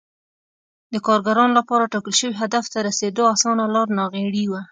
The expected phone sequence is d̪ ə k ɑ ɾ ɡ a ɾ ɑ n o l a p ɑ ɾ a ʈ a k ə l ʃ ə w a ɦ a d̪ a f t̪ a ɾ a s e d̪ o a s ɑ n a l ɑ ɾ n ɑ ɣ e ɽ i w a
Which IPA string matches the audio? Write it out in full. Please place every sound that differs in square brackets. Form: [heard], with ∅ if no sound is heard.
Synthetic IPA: d̪ ə k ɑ ɾ ɡ a ɾ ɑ n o l a p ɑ ɾ a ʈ [ɑ] k ə l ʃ ə w [i] ɦ a d̪ a f t̪ a ɾ a s e d̪ o a s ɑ n a l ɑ ɾ n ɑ ɣ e ɽ i w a